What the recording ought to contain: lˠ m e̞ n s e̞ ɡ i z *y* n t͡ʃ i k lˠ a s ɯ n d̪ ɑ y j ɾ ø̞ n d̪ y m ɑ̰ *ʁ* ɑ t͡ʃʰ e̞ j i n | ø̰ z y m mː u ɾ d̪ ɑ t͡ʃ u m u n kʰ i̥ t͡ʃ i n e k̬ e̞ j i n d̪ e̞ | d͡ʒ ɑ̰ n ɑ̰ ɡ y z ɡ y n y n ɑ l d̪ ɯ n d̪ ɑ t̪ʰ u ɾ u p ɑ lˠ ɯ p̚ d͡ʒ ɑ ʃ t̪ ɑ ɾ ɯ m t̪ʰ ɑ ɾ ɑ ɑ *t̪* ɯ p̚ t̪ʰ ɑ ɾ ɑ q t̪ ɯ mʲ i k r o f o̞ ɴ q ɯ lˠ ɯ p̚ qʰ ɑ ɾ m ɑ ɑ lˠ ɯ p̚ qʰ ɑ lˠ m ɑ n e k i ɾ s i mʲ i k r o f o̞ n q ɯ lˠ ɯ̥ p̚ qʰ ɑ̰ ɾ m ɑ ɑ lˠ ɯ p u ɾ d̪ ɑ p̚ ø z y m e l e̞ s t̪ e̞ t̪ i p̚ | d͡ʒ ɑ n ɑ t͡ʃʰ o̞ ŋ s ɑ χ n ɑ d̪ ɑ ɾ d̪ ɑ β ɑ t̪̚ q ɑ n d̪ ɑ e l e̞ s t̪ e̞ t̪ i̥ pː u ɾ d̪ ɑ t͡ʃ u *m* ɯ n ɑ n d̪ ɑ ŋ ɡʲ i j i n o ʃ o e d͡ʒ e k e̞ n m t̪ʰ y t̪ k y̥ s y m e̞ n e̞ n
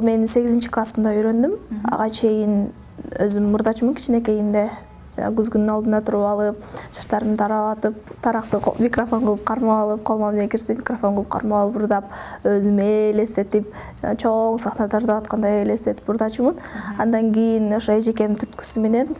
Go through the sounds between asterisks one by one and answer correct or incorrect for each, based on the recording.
incorrect, correct, correct, correct

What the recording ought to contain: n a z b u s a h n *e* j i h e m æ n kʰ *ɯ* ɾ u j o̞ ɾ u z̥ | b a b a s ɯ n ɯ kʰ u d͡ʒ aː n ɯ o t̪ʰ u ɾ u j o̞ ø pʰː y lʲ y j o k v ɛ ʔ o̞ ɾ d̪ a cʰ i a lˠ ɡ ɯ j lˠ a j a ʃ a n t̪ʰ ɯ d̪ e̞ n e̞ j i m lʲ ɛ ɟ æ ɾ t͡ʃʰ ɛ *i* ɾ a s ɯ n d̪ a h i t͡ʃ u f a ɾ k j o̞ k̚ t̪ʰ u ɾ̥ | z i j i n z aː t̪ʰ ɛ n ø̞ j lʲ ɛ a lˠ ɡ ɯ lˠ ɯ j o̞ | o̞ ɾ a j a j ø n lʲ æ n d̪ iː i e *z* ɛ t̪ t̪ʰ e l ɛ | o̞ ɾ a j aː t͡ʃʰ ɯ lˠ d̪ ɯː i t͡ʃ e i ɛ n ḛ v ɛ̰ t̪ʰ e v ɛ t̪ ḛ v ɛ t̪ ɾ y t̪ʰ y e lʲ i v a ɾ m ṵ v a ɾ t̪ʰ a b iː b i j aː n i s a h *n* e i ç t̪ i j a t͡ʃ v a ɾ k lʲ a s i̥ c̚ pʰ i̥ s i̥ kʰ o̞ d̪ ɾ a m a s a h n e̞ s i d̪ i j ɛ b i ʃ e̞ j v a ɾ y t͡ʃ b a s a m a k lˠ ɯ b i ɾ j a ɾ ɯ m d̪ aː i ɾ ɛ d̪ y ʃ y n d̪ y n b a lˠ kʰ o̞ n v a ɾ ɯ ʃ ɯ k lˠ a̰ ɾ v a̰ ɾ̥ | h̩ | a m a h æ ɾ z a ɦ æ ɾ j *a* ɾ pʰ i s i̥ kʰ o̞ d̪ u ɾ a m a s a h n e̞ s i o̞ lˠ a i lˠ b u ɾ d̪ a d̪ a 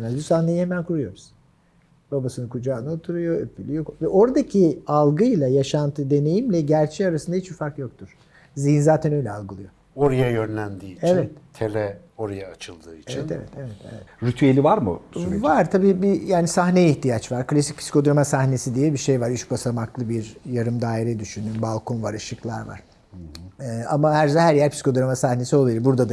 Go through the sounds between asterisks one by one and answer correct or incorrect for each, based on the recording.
correct, incorrect, incorrect, incorrect, correct, incorrect

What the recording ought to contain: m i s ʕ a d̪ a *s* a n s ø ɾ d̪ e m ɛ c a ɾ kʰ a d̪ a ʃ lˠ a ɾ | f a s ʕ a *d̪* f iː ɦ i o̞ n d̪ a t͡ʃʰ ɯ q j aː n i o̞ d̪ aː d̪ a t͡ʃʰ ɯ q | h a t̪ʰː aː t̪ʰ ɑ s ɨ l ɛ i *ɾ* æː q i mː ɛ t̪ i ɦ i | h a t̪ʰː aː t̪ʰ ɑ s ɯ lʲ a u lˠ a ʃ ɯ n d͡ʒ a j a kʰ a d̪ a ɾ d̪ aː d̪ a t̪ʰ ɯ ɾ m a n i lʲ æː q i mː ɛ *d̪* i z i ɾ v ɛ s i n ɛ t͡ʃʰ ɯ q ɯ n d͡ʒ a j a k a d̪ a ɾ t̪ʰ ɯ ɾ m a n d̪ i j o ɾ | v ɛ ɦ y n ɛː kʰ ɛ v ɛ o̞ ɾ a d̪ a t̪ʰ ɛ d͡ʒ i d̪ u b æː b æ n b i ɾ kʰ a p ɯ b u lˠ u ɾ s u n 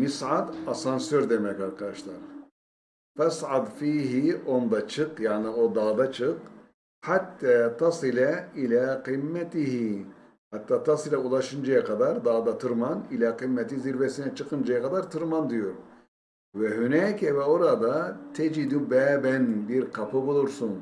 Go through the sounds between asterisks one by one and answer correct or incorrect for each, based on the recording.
correct, correct, incorrect, incorrect

